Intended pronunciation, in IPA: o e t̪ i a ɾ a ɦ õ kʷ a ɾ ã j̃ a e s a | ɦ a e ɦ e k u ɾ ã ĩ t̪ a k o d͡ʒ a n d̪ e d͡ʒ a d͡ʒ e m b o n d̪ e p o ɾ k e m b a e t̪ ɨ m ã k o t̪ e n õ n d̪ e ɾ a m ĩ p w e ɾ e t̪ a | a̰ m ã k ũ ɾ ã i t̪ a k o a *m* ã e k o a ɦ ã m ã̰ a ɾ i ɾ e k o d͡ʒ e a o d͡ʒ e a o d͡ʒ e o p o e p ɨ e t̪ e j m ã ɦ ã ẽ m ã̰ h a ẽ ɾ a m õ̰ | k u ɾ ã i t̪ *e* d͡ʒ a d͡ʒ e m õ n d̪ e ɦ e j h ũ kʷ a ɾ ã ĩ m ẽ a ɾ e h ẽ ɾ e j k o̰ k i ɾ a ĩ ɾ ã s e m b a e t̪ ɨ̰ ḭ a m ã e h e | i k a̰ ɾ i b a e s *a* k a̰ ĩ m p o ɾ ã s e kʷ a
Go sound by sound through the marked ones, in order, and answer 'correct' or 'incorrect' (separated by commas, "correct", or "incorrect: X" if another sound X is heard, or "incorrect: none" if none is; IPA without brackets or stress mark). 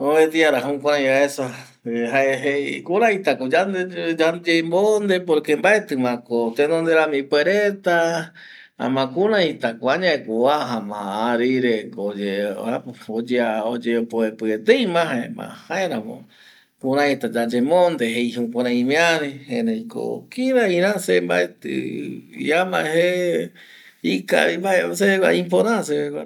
incorrect: ɲ, incorrect: a, incorrect: e